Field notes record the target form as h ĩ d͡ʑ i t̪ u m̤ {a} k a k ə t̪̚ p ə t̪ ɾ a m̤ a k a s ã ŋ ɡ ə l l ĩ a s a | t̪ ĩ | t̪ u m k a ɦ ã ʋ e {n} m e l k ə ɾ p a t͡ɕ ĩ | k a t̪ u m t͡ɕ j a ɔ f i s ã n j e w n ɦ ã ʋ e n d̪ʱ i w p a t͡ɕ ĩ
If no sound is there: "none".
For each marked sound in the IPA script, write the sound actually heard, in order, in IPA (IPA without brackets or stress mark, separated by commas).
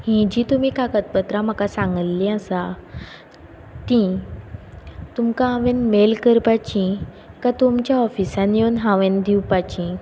i, n